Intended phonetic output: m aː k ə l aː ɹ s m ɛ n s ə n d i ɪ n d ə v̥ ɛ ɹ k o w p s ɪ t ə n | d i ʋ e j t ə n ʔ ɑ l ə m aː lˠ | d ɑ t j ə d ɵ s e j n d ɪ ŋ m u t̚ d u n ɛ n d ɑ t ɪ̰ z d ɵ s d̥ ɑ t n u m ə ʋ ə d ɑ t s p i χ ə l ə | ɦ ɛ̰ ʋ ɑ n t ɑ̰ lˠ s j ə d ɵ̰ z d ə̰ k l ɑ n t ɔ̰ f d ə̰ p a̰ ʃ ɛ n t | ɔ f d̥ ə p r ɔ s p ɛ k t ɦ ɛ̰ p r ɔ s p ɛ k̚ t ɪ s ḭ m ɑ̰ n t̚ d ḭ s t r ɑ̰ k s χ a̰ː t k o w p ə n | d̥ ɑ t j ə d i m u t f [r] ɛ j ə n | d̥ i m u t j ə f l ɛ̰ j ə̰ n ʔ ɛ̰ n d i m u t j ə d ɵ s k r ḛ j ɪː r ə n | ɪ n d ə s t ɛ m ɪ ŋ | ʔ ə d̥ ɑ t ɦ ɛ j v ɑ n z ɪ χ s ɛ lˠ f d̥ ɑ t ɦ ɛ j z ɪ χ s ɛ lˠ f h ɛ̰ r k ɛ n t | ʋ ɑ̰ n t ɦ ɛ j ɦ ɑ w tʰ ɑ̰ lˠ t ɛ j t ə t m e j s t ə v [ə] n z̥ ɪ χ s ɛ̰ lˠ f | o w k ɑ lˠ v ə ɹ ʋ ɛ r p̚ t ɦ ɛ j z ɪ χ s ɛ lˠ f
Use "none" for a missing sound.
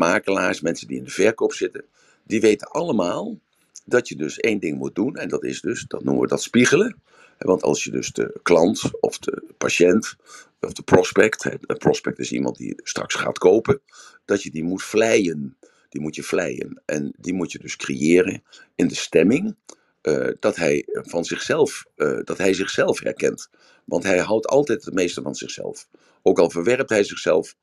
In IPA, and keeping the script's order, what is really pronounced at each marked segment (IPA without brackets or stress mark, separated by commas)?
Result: l, ɑ